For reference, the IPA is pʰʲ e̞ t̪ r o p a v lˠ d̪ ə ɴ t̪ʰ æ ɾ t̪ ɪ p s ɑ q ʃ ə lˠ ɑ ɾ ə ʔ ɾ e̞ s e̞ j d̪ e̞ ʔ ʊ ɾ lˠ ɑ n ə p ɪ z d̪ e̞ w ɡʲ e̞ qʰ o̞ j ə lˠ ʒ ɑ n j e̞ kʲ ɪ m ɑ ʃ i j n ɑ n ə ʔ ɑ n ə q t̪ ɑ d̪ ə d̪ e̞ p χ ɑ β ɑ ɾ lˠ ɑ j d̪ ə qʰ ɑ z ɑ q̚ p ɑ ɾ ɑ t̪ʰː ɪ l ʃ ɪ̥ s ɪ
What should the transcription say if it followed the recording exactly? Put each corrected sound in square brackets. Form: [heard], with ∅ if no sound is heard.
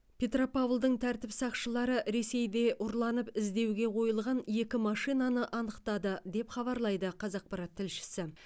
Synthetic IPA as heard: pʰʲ e̞ t̪ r o p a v lˠ d̪ ə ɴ t̪ʰ æ ɾ t̪ ɪ p s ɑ q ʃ ə lˠ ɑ ɾ ə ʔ ɾ e̞ s e̞ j d̪ e̞ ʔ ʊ ɾ lˠ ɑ n ə p ɪ z d̪ e̞ w ɡʲ e̞ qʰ o̞ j ə lˠ [ʁ] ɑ n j e̞ kʲ ɪ m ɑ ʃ i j n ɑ n ə ʔ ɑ n ə q t̪ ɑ d̪ ə d̪ e̞ p χ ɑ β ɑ ɾ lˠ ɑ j d̪ ə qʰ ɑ z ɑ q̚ p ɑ ɾ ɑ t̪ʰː ɪ l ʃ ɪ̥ s ɪ